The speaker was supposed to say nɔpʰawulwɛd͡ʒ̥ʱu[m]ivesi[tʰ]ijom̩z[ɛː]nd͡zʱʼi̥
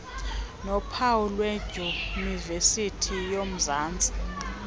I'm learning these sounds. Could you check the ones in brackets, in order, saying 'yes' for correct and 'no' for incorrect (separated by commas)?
no, yes, no